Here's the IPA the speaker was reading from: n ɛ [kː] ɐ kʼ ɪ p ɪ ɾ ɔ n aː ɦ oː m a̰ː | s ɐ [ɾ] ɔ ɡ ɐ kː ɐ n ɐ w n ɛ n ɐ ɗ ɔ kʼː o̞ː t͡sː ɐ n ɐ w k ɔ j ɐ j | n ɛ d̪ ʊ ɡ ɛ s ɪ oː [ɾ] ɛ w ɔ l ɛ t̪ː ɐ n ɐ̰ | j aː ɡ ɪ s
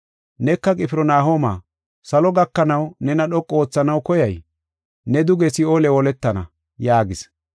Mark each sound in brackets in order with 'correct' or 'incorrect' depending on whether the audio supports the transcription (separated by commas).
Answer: correct, incorrect, incorrect